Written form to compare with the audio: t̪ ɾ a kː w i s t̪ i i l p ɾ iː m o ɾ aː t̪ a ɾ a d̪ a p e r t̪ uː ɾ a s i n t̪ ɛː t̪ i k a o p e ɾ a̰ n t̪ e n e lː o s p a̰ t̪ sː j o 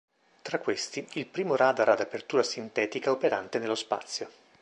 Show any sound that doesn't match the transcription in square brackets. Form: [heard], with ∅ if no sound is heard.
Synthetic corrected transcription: t̪ ɾ a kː w [e] s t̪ i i l p ɾ iː m o ɾ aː [d̪] a ɾ a d̪ a p e r t̪ uː ɾ a s i n t̪ ɛː t̪ i k a o p e ɾ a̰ n t̪ e n e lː o s p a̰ t̪ sː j o

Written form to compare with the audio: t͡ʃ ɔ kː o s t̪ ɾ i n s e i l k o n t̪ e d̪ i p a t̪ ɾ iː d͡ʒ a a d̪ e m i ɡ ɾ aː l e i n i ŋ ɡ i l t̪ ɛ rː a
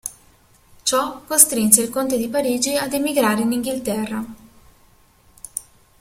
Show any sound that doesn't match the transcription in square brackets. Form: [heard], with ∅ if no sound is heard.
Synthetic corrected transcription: t͡ʃ ɔ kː o s t̪ ɾ i n s e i l k o n t̪ e d̪ i p a [∅] ɾ iː d͡ʒ [i] a d̪ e m i ɡ ɾ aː [ɾ] e i n i ŋ ɡ i l t̪ ɛ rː a

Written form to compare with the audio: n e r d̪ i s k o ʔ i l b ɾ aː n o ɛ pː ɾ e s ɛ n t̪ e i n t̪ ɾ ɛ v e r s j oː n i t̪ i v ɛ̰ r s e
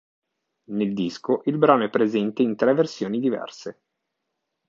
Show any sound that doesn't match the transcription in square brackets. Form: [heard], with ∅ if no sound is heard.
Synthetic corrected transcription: n e [l] d̪ i s k o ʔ i l b ɾ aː n o ɛ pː ɾ e [z] ɛ n t̪ e i n t̪ ɾ ɛ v e r s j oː n i [d̪] i v ɛ̰ r s e

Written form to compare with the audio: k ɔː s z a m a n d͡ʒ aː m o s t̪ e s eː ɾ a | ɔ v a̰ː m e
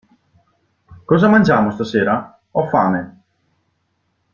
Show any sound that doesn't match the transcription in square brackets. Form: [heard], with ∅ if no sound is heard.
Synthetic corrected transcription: k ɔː [∅] z a m a n d͡ʒ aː m o s t̪ [a] s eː ɾ a | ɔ [f] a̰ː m e

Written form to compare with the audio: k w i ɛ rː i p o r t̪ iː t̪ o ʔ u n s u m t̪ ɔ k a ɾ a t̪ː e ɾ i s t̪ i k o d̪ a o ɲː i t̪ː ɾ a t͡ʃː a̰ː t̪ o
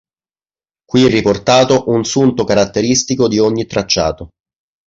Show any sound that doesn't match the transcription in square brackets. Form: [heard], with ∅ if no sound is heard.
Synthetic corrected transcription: k w i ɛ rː i p o r t̪ [aː] t̪ o ʔ u n s u [n] t̪ [o] k a ɾ a t̪ː e ɾ i s t̪ i k o d̪ [i] o ɲː i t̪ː ɾ a t͡ʃː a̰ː t̪ o

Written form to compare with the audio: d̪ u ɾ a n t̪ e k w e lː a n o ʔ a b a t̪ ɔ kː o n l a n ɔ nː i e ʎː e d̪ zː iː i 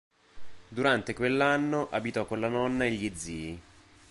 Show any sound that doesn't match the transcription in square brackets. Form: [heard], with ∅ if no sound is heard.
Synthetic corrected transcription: d̪ u ɾ a n t̪ e k w e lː a [nː] o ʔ a b [i] t̪ ɔ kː o n l a n ɔ nː [a] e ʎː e d̪ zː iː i

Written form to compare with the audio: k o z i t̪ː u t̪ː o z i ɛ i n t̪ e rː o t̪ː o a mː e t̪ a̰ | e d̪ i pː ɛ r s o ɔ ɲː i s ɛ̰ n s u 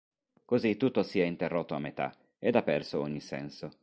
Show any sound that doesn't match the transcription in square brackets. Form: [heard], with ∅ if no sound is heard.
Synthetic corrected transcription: k o z i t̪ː u t̪ː o [s] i ɛ i n t̪ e rː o t̪ː o a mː e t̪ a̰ | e d̪ [a] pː ɛ r s o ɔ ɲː i s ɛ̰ n s [o]

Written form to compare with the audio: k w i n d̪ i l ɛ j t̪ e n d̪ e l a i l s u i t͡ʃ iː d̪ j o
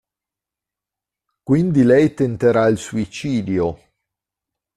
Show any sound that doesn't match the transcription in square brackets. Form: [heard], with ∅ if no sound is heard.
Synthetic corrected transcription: k w i n d̪ i l ɛ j t̪ e n [t̪] e [ɾ] a i l s u i t͡ʃ iː d̪ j o

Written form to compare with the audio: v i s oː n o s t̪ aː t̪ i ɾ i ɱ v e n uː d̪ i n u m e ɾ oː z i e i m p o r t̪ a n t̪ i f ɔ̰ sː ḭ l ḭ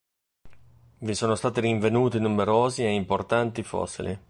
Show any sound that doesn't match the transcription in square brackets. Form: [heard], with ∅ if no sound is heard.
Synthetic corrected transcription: v i s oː n o s t̪ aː t̪ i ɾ i ɱ v e n uː [t̪] i n u m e ɾ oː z i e i m p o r t̪ a n t̪ i f ɔ̰ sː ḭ l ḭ

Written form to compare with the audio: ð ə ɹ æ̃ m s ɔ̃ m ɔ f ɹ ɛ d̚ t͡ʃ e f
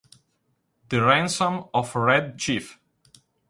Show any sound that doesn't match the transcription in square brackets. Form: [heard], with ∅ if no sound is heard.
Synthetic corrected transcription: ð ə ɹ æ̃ [n] s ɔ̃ m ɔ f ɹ ɛ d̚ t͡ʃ [i] f

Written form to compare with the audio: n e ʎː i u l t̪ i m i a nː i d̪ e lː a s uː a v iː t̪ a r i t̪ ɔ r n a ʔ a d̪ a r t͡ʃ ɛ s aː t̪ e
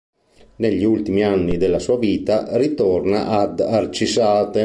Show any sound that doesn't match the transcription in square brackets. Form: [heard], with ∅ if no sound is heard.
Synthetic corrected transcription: n e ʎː i u l t̪ i m i a nː i d̪ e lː a s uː a v iː t̪ a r i t̪ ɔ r n a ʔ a d̪ a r t͡ʃ [i] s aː t̪ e

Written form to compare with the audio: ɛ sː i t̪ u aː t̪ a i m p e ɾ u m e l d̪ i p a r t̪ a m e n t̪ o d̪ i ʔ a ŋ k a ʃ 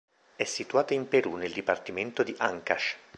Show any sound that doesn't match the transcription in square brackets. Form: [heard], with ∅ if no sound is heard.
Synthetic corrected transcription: ɛ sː i t̪ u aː t̪ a i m p e ɾ u [n] e l d̪ i p a r t̪ [i] m e n t̪ o d̪ i ʔ a ŋ k a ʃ

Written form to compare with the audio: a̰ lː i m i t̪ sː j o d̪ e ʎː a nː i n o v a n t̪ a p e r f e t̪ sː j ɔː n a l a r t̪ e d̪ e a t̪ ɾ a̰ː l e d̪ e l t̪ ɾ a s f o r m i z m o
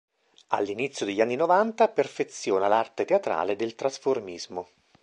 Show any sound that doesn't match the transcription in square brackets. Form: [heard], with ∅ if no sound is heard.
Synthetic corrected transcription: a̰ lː i [n] i t̪ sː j o d̪ e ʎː a nː i n o v a n t̪ a p e r f e t̪ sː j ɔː n a l a r t̪ e [t̪] e a t̪ ɾ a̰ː l e d̪ e l t̪ ɾ a s f o r m i z m o

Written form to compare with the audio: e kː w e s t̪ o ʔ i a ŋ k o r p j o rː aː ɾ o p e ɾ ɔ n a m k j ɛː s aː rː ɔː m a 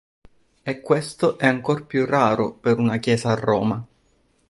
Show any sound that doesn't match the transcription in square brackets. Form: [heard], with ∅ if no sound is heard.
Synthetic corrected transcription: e kː w e s t̪ o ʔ [ɛ] a ŋ k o r p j [u] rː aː ɾ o p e ɾ [u] n a [∅] k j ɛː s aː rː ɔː m a

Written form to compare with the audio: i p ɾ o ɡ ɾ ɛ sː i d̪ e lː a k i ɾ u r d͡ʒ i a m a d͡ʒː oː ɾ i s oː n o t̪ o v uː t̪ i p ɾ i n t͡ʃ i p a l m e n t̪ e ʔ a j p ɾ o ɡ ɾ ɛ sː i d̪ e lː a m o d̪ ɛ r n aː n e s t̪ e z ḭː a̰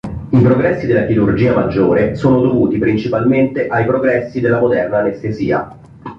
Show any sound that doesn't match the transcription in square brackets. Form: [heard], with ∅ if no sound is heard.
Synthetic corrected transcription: i p ɾ o ɡ ɾ ɛ sː i d̪ e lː a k i ɾ u r d͡ʒ [iː] a m a d͡ʒː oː ɾ [e] s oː n o [d̪] o v uː t̪ i p ɾ i n t͡ʃ i p a l m e n t̪ e ʔ a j p ɾ o ɡ ɾ ɛ sː i d̪ e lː a m o d̪ ɛ r n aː n e s t̪ e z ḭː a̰

